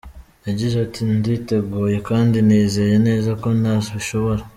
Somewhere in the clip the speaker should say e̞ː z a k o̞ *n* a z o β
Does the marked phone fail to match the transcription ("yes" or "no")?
no